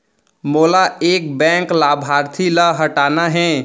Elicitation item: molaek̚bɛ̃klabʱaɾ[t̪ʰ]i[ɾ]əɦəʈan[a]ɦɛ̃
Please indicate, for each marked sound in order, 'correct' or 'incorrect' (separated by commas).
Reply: correct, incorrect, correct